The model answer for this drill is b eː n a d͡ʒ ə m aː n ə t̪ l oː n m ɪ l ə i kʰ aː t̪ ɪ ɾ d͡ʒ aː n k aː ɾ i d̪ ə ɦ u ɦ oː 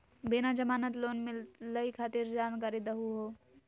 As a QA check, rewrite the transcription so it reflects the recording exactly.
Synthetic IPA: b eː n a d͡ʒ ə m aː n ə t̪ l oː n m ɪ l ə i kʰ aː t̪ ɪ ɾ d͡ʒ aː n k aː ɾ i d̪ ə ɦ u ɦ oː